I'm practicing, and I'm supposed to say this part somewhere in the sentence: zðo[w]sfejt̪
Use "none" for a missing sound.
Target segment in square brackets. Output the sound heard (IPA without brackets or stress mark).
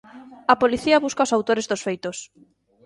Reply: none